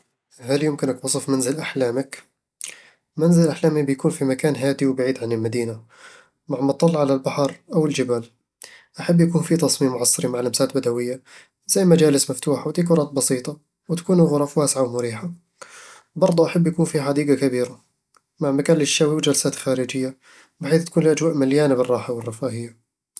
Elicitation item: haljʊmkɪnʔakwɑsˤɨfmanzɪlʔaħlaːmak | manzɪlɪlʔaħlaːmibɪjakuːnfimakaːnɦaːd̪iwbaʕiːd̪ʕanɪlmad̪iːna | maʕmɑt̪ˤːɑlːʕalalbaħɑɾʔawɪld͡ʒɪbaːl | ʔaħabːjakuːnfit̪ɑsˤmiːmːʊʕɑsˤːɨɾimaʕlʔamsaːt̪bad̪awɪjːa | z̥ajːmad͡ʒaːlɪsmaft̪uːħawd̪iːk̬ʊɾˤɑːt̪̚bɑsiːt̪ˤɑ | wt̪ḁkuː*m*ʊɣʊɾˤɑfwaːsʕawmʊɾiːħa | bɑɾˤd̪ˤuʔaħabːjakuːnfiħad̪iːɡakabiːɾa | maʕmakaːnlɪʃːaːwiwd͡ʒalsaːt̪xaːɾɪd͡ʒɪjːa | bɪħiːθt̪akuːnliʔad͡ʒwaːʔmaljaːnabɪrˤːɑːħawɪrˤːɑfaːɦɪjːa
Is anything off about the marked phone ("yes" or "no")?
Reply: yes